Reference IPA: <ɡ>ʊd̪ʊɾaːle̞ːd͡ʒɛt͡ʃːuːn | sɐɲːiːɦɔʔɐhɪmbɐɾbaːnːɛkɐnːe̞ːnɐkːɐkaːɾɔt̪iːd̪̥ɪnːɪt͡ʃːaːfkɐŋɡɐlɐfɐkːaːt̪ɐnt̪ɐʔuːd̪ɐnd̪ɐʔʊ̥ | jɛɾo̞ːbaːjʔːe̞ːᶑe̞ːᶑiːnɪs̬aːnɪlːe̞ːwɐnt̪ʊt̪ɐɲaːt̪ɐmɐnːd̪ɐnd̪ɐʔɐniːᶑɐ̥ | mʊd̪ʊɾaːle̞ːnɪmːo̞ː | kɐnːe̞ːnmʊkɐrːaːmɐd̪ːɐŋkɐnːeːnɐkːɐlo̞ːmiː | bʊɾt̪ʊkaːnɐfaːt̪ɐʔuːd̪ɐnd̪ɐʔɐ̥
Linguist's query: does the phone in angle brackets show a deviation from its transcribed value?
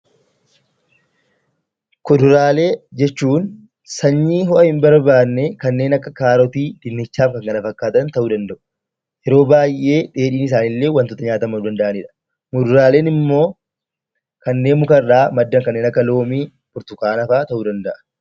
yes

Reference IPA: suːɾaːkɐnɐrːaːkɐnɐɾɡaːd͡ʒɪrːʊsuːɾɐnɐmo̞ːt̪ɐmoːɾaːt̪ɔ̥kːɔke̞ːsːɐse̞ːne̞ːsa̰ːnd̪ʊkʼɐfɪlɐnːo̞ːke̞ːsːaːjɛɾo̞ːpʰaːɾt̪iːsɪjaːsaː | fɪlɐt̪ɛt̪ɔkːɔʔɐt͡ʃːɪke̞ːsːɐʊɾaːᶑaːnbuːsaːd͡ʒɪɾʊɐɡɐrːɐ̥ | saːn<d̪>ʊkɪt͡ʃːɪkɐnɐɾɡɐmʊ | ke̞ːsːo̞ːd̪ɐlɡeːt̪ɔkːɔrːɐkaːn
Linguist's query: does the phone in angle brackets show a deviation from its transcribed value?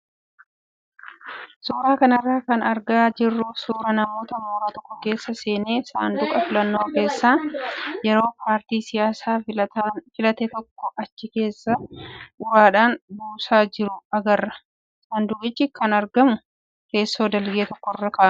no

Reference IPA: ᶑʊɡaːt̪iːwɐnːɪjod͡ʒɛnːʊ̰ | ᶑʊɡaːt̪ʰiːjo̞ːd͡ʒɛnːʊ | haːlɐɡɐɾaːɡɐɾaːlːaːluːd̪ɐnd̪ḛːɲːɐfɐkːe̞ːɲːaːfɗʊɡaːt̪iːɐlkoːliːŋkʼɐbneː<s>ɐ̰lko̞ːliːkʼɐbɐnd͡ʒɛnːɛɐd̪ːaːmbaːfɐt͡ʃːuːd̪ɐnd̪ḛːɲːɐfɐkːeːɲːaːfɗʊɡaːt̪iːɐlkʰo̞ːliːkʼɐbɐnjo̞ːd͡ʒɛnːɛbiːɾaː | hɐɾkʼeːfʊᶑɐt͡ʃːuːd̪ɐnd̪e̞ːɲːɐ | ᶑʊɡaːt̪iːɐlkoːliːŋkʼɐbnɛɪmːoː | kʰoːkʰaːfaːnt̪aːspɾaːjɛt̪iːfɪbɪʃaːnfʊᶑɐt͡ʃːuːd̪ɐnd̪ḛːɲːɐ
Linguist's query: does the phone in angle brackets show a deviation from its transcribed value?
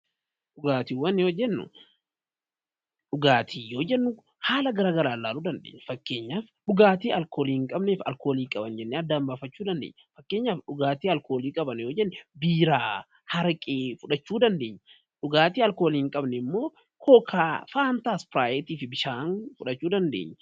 yes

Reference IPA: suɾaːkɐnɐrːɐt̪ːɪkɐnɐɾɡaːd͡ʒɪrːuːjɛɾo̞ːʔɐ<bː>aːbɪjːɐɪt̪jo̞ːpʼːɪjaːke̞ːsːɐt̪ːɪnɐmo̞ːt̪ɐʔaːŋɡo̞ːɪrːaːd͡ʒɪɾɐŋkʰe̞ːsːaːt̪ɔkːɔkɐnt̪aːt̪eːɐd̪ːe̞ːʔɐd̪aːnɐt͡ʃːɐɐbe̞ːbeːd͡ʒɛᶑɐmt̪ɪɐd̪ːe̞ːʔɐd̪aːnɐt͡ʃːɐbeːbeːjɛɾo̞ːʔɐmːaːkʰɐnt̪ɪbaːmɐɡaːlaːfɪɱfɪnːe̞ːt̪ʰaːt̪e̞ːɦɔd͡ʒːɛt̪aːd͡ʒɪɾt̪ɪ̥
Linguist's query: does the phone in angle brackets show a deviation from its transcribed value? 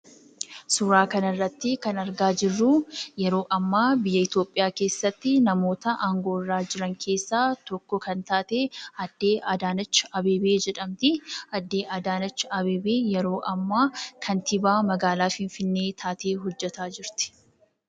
yes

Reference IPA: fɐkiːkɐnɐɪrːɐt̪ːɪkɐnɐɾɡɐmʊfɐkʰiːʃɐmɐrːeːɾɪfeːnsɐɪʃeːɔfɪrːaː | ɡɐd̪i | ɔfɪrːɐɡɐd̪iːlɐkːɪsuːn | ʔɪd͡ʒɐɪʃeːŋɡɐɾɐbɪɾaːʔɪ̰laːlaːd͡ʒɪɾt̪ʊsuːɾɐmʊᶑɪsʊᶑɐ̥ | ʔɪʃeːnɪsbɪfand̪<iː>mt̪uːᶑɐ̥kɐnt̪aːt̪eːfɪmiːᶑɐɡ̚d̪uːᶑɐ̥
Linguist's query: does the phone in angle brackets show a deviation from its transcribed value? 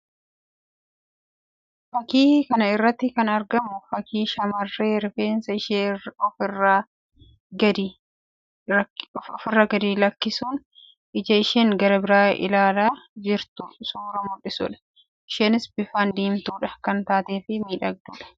no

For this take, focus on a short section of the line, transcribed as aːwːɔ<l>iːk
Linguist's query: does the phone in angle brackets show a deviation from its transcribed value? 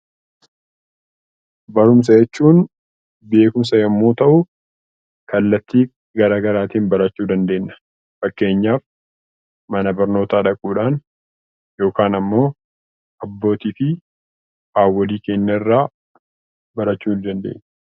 no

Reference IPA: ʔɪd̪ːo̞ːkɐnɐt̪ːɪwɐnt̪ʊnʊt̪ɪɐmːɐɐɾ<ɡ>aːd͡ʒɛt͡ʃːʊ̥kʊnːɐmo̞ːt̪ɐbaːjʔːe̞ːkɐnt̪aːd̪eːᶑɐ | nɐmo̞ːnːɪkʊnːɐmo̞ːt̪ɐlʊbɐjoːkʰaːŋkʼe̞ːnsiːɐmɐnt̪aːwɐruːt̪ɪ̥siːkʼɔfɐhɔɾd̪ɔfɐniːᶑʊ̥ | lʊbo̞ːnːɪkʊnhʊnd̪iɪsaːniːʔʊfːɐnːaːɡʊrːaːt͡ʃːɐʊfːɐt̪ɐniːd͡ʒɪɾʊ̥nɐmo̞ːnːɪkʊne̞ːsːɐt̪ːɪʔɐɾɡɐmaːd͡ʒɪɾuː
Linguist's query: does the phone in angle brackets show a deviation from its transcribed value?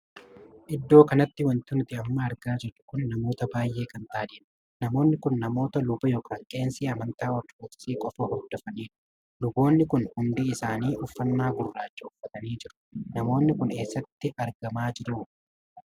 no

